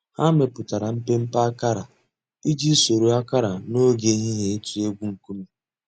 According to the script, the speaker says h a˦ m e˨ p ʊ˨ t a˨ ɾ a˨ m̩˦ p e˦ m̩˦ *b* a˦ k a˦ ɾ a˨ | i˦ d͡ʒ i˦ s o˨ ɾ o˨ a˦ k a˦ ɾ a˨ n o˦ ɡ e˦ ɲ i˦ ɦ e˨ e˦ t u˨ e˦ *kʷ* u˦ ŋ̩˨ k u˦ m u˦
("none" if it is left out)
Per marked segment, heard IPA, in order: p, ɡʷ

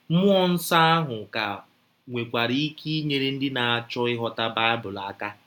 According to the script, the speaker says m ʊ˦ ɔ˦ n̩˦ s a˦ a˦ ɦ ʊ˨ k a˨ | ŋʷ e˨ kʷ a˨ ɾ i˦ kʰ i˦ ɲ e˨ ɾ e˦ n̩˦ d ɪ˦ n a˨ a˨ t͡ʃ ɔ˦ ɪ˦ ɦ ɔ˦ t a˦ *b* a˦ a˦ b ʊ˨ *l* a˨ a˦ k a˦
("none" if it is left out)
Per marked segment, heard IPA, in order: b, l

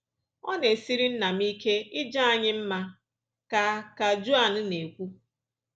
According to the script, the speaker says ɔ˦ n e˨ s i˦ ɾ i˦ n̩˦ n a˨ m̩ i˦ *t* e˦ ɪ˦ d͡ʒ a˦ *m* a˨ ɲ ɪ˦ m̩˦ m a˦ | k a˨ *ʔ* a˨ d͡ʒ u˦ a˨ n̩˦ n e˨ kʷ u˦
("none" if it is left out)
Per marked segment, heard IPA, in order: k, none, k

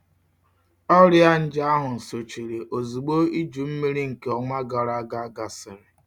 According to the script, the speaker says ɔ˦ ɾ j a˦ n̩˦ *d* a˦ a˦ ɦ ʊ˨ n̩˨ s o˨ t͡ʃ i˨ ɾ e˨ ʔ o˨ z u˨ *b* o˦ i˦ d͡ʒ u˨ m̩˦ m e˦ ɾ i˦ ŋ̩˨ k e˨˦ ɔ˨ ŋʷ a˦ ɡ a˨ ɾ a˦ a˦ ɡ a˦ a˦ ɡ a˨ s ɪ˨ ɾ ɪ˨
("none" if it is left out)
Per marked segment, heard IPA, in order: d͡ʒ, ɡ͡b

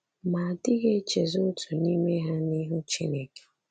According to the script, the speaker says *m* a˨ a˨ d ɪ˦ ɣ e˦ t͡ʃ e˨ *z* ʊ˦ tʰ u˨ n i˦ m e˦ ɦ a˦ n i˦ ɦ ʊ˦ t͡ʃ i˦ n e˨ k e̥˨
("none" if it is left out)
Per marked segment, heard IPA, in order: m, z

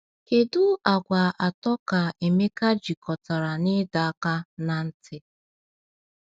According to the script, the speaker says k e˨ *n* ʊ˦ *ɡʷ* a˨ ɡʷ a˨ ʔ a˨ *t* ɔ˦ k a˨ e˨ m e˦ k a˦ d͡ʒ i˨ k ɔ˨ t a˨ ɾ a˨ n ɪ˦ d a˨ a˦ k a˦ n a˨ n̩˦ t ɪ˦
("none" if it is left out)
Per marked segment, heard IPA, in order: d, none, t

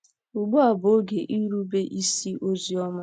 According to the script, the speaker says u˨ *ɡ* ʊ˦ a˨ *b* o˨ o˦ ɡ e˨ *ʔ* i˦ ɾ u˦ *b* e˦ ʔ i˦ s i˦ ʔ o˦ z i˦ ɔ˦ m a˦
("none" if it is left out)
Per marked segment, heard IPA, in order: ɡ͡b, b, ʔ, b

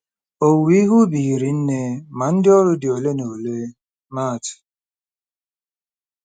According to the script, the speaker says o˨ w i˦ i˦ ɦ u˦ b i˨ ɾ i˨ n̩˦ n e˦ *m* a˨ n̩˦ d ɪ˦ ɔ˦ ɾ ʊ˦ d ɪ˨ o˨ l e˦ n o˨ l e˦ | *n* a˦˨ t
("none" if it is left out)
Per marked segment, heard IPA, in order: m, m

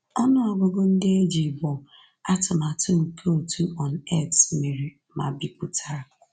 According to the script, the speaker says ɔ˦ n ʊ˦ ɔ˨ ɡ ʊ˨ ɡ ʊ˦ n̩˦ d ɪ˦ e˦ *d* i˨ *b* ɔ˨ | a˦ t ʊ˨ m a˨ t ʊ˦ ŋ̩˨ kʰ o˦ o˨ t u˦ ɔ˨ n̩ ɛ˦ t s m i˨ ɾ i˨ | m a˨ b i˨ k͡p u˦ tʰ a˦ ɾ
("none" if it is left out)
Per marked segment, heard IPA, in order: d͡ʒ, b

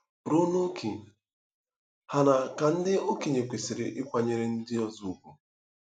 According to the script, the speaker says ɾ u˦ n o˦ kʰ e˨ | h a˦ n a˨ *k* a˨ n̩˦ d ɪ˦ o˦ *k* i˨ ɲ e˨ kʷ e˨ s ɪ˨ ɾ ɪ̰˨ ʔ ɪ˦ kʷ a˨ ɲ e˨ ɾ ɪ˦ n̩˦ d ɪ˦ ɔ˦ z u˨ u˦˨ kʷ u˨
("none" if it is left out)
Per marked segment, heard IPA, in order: k, k

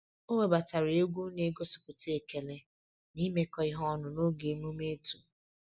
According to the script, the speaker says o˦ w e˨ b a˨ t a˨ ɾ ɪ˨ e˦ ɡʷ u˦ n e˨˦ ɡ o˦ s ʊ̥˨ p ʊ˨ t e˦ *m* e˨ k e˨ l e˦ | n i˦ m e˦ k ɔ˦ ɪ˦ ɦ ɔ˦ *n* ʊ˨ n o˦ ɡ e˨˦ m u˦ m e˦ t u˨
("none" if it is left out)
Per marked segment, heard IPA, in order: none, n

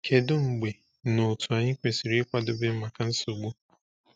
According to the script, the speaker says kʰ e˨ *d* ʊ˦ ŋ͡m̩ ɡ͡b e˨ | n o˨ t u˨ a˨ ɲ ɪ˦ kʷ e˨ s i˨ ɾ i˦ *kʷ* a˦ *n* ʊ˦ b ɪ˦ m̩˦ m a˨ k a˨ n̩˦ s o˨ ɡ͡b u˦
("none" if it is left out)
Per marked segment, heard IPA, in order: d, kʷ, d

